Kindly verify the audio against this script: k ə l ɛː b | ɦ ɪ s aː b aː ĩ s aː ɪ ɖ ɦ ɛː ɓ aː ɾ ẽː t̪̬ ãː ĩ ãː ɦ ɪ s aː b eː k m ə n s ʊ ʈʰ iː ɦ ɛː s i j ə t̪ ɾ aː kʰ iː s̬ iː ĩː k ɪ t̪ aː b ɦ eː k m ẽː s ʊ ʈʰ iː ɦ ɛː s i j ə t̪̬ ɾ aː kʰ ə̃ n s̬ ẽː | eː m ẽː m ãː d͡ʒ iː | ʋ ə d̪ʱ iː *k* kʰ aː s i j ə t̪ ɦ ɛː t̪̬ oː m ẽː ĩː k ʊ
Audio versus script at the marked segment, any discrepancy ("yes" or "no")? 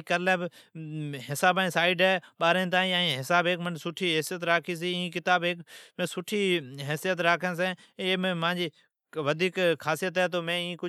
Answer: no